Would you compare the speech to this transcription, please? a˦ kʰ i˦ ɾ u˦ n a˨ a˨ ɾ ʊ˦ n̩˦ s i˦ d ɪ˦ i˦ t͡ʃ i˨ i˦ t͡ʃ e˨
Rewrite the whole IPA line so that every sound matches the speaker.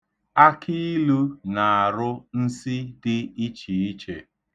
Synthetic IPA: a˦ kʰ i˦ l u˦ n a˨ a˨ ɾ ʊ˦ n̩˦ s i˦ d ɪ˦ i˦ t͡ʃ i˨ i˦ t͡ʃ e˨